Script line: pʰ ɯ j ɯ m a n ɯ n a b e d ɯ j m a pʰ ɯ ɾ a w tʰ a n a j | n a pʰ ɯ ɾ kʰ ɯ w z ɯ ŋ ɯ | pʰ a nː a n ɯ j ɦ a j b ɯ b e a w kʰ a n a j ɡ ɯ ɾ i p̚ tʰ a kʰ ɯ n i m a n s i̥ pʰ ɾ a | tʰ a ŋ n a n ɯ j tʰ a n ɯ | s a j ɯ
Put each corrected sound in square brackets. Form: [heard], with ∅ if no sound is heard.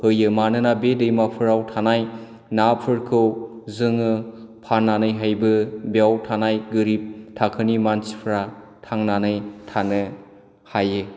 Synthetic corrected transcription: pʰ ɯ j ɯ m a n ɯ n a b e d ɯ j m a pʰ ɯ ɾ a w tʰ a n a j | n a pʰ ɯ ɾ kʰ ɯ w z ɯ ŋ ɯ | pʰ a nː a n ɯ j ɦ a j b ɯ b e a w [tʰ] a n a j ɡ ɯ ɾ i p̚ tʰ a kʰ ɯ n i m a n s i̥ pʰ ɾ a | tʰ a ŋ n a n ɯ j tʰ a n ɯ | [h] a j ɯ